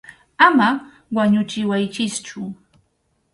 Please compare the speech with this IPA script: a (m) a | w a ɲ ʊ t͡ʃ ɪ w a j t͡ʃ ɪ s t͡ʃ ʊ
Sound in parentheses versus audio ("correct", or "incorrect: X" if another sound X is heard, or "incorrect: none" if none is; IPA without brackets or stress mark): correct